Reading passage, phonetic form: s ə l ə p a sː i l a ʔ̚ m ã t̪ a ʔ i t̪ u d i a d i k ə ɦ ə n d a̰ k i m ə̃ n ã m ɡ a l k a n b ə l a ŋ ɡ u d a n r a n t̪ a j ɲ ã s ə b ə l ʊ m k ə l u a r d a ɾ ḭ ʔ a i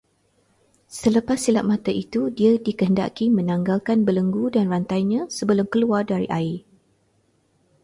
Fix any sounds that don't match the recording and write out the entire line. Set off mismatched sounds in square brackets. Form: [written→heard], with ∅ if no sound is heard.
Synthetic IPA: s ə l ə p a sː i l a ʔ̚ m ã t̪ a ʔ i t̪ u d i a d i k ə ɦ ə n d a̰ k i m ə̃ n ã [m→ŋ] ɡ a l k a n b ə l [a→ə] ŋ ɡ u d a n r a n t̪ a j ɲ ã s ə b ə l ʊ m k ə l u a r d a ɾ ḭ ʔ a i